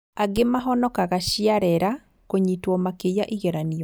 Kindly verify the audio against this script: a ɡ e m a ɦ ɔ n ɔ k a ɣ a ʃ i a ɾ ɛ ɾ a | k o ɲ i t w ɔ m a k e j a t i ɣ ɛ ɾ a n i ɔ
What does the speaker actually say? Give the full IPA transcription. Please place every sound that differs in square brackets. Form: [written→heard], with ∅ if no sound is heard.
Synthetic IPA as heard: a ɡ e m a ɦ ɔ n ɔ k a ɣ a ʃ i a ɾ ɛ ɾ a | k o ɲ i t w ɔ m a k e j a [t→ʔ] i ɣ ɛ ɾ a n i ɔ